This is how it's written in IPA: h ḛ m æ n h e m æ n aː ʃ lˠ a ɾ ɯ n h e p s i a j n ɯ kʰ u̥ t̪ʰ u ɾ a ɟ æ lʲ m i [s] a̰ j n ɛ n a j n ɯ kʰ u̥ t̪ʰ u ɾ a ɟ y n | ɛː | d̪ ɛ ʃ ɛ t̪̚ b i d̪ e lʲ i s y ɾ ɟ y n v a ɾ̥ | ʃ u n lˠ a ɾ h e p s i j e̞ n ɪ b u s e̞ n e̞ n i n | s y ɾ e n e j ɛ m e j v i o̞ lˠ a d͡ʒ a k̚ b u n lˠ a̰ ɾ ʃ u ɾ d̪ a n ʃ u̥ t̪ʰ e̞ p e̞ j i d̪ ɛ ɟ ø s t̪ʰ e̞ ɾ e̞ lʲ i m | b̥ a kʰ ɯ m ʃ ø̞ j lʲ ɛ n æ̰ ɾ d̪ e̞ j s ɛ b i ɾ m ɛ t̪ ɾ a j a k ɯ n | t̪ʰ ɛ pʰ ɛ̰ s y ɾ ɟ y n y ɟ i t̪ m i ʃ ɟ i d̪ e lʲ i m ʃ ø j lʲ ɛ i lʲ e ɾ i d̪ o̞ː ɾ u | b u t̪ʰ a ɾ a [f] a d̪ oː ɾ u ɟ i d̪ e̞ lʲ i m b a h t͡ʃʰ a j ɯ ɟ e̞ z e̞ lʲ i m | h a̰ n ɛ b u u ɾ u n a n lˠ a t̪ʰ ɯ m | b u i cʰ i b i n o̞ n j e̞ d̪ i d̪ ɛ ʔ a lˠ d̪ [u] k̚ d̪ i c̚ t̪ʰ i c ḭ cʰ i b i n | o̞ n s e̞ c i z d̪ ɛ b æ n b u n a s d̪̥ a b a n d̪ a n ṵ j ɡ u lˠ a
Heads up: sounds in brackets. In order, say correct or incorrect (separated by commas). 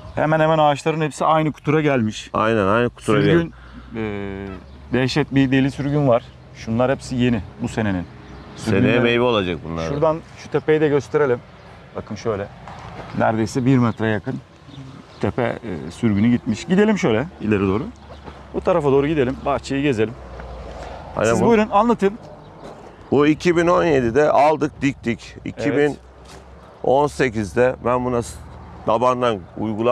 incorrect, correct, incorrect